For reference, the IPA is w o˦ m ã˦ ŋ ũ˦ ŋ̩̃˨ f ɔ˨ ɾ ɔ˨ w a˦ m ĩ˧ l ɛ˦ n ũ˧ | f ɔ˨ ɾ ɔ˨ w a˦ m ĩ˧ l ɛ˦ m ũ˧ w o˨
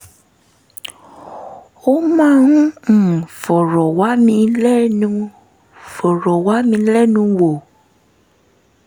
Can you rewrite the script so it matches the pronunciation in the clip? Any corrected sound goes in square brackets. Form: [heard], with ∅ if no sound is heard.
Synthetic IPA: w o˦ m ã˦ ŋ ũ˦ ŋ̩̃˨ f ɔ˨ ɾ ɔ˨ w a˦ m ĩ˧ l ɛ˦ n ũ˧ | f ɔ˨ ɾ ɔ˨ w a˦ m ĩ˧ l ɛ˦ [n] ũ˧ w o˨